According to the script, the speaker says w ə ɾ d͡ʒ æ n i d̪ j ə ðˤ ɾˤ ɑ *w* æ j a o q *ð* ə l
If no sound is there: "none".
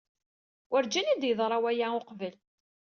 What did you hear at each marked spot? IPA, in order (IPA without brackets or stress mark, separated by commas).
w, v